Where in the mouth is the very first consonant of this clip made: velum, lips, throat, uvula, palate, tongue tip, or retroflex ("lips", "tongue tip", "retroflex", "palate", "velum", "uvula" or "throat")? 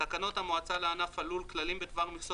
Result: velum